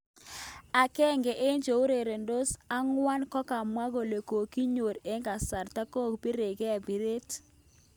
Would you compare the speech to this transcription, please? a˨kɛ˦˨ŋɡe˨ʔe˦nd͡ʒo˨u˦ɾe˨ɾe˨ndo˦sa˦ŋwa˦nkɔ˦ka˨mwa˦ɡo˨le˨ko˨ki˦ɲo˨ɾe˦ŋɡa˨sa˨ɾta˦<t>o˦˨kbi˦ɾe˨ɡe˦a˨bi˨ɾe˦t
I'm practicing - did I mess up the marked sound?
yes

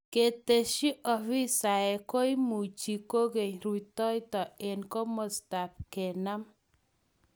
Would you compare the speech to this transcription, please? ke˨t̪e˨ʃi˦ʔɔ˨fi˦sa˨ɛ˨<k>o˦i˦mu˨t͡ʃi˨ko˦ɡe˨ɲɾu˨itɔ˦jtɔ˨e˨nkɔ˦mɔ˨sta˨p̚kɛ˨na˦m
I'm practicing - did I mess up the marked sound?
no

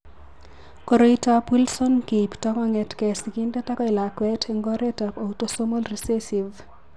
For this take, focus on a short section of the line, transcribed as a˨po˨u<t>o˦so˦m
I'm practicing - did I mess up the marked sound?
no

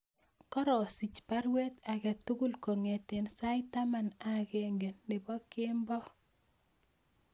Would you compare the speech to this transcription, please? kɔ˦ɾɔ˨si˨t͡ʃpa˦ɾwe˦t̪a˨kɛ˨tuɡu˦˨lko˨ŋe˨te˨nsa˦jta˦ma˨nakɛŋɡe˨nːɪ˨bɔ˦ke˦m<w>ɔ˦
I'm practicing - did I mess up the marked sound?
yes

